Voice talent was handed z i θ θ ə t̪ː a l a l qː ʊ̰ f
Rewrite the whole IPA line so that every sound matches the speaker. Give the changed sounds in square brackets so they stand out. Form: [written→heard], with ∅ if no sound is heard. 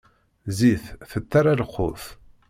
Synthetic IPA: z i θ θ ə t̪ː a [l→ɾ] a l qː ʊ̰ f